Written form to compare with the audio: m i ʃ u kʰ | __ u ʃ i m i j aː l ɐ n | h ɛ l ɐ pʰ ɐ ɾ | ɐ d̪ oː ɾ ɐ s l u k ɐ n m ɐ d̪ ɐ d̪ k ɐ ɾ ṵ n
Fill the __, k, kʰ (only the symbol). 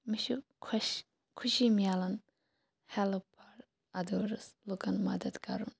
kʰ